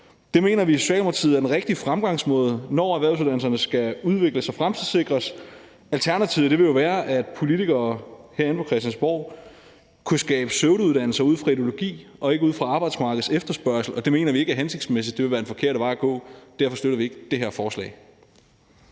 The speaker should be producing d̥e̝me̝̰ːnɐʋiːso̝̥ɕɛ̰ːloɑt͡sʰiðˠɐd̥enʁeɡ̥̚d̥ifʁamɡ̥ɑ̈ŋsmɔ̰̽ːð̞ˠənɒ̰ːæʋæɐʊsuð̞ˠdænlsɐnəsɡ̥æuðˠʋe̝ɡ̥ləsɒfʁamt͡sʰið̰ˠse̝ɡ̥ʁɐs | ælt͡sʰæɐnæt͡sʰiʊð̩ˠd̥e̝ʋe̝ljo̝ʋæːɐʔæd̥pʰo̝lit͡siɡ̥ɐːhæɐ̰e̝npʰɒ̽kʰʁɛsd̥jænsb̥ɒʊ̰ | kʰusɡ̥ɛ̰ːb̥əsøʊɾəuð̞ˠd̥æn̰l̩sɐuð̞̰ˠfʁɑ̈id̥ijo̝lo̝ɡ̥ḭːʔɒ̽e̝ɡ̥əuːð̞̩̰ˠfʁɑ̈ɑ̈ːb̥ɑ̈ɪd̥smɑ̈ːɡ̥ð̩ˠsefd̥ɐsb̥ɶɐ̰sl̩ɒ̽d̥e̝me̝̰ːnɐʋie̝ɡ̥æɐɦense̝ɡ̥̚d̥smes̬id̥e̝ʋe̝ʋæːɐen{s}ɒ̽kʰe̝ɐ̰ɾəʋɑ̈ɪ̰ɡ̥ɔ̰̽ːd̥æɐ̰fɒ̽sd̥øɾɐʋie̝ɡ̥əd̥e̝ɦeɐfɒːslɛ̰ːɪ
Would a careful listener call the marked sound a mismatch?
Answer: yes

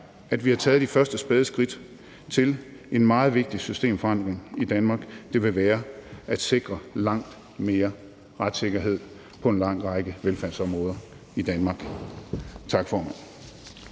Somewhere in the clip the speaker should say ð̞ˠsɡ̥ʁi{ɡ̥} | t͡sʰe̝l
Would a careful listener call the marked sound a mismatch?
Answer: yes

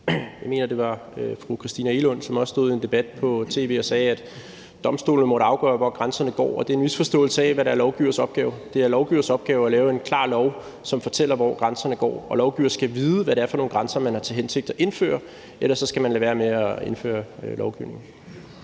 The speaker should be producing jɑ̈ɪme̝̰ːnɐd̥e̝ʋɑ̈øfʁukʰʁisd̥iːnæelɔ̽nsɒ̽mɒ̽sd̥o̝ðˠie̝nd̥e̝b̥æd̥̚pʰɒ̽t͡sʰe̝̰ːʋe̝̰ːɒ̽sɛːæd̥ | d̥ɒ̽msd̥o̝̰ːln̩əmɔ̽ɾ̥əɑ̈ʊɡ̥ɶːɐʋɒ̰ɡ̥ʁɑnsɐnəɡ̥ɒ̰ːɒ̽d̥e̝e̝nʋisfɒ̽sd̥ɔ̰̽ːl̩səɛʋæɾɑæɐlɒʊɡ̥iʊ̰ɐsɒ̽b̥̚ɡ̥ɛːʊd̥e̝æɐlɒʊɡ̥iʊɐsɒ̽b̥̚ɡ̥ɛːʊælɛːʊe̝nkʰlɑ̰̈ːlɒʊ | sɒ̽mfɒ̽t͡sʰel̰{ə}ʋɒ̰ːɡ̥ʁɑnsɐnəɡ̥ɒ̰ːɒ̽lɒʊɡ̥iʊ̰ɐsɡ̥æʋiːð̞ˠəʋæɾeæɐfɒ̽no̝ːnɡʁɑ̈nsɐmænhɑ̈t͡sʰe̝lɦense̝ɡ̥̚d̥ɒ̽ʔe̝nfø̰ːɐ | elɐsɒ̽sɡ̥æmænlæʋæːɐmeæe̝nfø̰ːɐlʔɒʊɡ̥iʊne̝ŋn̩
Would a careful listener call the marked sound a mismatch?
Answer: yes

